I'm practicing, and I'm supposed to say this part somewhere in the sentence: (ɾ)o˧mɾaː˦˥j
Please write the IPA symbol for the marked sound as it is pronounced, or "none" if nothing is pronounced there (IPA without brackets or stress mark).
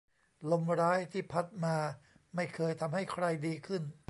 l